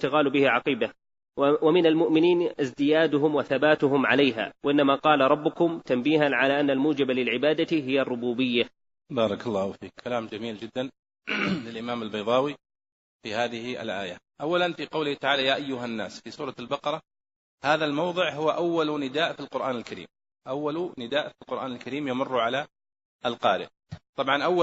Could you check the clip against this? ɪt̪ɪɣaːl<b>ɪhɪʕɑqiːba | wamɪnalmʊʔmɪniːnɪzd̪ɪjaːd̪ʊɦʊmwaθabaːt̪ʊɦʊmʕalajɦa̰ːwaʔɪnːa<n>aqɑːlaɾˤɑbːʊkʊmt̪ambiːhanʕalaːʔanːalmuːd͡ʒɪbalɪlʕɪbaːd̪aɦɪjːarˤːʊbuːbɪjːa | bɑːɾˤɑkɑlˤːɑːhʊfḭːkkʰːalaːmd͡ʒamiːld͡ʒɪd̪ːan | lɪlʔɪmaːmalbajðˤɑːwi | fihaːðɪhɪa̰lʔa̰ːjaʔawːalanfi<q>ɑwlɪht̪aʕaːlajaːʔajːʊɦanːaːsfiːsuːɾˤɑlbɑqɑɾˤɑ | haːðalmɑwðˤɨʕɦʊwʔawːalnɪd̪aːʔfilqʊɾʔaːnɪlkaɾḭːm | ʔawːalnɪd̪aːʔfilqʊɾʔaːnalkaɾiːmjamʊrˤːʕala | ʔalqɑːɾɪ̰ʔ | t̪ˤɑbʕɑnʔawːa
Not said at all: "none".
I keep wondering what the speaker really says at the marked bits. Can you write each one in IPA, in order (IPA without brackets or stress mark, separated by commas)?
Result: b, m, q